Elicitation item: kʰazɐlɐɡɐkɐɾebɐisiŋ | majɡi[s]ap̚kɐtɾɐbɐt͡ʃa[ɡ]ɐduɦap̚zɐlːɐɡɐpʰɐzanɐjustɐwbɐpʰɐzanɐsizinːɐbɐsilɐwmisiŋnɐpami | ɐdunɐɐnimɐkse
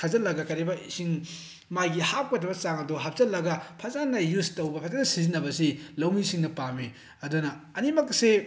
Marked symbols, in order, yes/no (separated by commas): no, no